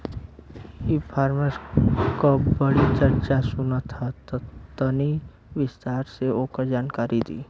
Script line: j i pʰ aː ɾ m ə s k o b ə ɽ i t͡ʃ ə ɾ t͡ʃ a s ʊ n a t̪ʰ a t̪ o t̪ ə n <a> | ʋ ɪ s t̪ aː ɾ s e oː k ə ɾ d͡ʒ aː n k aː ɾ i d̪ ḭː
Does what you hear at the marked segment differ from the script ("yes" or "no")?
yes